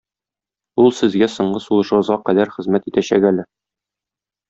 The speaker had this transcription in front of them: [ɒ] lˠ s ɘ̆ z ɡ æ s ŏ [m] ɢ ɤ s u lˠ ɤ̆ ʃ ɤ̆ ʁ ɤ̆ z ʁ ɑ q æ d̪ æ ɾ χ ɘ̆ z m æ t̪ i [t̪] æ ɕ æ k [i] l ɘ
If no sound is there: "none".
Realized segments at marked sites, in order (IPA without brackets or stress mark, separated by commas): u, ɴ, t̪, æ